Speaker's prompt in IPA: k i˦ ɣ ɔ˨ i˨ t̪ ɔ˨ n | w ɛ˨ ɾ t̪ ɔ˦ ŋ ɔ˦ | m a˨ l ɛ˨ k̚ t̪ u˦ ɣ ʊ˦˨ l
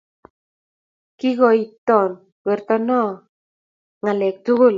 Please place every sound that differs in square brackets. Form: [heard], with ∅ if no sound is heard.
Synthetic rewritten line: k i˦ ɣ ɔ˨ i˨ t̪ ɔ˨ n | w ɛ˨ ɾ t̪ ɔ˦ [n] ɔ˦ | [ŋ] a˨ l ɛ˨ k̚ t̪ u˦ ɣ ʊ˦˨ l